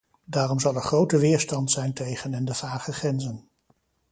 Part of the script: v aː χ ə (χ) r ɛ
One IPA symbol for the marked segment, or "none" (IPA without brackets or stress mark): χ